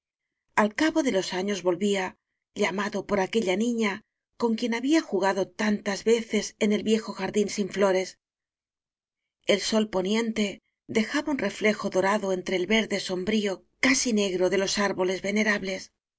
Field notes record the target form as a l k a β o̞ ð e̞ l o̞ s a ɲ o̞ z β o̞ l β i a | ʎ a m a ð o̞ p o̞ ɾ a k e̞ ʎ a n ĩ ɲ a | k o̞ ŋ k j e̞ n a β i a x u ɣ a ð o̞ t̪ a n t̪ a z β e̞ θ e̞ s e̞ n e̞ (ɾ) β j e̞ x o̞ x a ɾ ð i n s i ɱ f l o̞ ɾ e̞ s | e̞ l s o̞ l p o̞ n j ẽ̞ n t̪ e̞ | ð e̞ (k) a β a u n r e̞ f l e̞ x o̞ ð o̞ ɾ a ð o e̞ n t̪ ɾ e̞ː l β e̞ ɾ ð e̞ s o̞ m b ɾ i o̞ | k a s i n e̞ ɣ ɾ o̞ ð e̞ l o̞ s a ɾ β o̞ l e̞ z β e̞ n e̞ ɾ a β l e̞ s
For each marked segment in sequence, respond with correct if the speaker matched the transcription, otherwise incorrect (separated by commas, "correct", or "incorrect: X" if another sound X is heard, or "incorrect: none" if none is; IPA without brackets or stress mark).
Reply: incorrect: l, incorrect: x